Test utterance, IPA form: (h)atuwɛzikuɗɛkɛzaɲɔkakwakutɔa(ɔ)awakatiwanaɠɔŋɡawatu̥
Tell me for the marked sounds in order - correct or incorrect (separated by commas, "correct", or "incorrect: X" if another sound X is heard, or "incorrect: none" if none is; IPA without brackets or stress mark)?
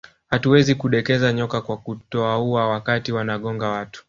correct, incorrect: u